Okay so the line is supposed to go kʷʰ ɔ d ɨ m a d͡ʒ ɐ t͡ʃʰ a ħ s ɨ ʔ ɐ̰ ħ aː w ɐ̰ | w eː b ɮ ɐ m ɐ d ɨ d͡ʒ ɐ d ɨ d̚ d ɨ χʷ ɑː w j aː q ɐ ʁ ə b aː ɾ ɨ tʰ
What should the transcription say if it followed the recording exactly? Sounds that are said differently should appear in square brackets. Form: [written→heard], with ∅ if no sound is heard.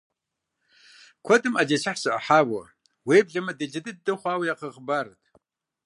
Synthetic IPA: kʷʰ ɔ d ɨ m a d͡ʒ ɐ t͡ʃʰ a ħ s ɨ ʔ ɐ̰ ħ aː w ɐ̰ | w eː b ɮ ɐ m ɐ d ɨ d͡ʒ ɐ d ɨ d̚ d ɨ χʷ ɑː w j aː q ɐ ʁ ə b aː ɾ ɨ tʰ